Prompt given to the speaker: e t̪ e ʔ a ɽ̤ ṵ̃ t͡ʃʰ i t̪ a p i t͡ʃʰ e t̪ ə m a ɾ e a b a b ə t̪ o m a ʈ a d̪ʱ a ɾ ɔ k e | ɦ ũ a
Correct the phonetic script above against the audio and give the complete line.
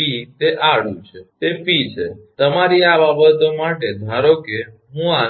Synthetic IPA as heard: i t̪ e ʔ a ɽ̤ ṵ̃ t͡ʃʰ e t̪ e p i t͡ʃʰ e t̪ ə m a ɾ i a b a b ə t̪ o m a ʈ e d̪ʱ a ɾ o k e | ɦ ũ a

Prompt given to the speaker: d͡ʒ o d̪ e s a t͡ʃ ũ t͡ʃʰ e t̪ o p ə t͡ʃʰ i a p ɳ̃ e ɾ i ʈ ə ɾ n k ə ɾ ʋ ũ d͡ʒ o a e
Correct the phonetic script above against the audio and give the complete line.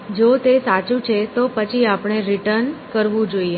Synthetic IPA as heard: d͡ʒ o t̪ e s a t͡ʃ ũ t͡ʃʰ e t̪ o p ə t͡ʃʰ i a p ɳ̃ e ɾ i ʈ ə ɾ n k ə ɾ ʋ ũ d͡ʒ o i e

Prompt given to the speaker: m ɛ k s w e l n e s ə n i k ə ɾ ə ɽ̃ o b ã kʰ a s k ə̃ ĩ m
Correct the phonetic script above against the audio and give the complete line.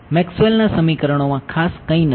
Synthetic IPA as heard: m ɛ k s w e l n a s ə m i k ə ɾ ə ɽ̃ o m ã kʰ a s k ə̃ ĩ n

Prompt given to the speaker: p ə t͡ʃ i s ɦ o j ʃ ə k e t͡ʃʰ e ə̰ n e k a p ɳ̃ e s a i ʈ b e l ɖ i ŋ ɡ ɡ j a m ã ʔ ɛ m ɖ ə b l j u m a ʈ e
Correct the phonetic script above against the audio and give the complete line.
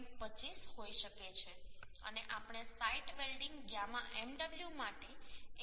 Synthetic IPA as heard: p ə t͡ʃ i s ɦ o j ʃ ə k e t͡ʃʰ e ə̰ n e ʔ a p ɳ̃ e s a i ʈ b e l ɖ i ŋ ɡ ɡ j a m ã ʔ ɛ m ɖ ə b l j u m a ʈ e

